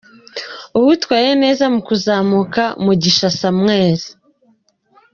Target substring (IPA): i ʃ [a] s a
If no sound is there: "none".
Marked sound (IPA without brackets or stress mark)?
a